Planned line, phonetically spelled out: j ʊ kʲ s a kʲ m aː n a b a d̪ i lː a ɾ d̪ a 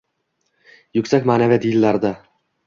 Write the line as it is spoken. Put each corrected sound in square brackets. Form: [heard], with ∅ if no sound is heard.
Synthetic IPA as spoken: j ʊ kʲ s a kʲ m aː n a [v] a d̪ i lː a ɾ d̪ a